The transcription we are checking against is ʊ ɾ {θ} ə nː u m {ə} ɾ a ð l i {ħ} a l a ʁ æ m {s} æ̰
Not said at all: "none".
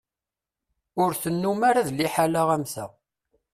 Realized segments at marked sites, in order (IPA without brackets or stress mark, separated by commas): θ, a, ħ, θ